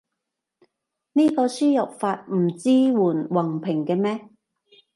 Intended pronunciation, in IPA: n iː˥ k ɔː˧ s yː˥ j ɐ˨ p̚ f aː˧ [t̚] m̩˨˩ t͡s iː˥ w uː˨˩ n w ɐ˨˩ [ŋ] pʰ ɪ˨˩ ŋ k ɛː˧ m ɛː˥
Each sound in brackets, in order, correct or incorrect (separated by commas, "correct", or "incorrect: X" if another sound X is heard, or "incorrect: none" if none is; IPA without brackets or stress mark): correct, correct